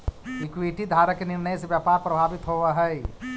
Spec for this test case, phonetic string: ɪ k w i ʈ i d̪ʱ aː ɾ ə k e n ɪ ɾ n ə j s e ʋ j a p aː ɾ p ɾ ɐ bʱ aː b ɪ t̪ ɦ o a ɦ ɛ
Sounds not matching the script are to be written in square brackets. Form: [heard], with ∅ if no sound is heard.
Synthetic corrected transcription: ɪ k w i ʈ i d̪ʱ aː ɾ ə k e n ɪ ɾ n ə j s e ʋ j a p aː ɾ p ɾ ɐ bʱ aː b ɪ t̪ ɦ o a ɦ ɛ